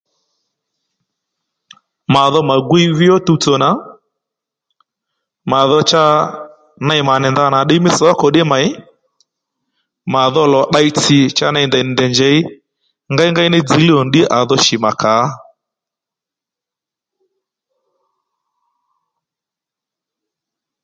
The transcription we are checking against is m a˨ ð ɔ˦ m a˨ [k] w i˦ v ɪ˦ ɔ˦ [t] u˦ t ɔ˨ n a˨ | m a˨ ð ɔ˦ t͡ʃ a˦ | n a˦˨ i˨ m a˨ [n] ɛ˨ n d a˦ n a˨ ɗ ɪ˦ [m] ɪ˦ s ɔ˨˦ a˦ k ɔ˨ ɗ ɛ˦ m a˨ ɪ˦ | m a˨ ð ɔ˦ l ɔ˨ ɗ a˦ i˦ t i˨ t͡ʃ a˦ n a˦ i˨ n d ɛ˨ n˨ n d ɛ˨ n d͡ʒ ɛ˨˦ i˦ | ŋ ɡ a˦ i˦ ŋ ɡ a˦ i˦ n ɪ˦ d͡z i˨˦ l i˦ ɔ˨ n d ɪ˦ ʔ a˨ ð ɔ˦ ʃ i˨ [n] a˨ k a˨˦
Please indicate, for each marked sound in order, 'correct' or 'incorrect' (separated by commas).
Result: incorrect, correct, correct, correct, incorrect